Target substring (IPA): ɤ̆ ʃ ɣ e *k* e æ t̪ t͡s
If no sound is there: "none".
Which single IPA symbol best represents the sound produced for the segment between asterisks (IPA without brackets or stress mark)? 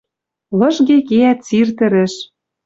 k